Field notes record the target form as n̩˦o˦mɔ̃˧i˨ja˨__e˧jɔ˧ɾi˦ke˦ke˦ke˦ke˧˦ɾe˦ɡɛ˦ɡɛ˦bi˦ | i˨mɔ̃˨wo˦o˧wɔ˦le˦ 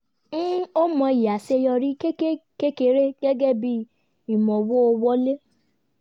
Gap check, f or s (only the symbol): s